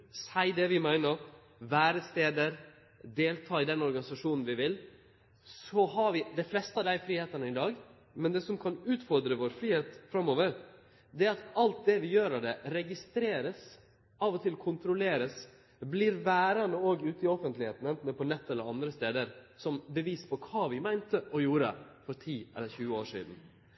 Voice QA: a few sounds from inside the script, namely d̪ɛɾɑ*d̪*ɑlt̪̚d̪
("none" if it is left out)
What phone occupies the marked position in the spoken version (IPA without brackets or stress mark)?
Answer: t̪